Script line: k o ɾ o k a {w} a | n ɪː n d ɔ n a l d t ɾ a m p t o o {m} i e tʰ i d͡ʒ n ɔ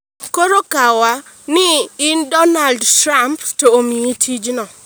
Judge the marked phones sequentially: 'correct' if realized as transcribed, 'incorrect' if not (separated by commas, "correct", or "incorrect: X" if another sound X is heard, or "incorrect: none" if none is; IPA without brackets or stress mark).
correct, correct